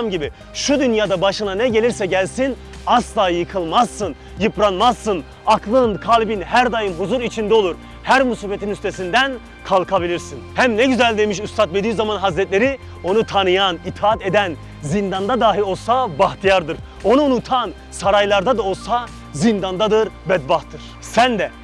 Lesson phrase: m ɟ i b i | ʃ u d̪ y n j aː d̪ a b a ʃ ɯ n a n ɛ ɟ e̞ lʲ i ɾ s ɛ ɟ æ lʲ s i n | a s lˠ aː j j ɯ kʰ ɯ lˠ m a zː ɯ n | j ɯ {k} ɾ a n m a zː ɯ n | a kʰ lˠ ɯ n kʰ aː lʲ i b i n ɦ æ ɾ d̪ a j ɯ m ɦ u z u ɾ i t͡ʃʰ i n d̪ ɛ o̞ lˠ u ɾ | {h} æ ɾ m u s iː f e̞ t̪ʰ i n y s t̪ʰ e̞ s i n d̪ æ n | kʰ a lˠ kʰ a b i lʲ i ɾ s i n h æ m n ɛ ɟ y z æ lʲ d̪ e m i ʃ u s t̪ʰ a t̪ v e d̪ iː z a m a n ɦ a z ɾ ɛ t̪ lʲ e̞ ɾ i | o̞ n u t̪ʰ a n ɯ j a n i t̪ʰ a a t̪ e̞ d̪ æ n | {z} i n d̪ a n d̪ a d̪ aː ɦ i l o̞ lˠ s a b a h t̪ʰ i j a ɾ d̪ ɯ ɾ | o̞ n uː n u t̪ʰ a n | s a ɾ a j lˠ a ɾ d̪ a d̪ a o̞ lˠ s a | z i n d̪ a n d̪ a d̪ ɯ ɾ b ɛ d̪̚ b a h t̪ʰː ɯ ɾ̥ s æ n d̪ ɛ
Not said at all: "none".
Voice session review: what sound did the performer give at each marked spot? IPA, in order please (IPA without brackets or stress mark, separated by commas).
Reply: p, h, z